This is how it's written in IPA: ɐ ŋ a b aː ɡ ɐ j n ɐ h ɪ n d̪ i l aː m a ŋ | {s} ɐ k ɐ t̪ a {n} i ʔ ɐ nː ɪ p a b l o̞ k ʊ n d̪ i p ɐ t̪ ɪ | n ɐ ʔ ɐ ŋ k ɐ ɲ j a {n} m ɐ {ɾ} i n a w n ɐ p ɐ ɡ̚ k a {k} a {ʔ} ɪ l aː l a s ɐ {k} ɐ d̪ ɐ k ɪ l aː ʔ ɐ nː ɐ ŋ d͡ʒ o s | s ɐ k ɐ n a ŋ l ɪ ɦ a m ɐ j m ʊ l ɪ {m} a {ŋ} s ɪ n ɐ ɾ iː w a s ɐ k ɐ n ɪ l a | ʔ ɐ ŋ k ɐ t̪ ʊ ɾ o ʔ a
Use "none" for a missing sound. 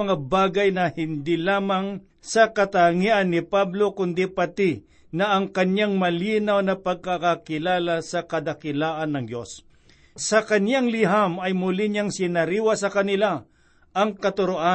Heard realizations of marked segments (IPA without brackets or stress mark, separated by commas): s, ŋ, ŋ, l, k, k, k, ɲ, ŋ